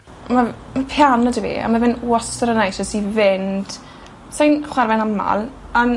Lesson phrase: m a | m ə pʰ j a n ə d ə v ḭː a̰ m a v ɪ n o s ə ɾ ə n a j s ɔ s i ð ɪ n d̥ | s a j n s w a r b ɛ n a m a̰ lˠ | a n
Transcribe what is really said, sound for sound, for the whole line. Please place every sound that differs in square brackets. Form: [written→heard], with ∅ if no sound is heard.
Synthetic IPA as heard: m a | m [ə→a] pʰ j a n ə d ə v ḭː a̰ m a v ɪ n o s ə ɾ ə n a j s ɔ s i [ð→v] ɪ n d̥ | s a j n [s→χ] w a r [b→v] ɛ n a m a̰ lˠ | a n